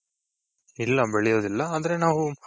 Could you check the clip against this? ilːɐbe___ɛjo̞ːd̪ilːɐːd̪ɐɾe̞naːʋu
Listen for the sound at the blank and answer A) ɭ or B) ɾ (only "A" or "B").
A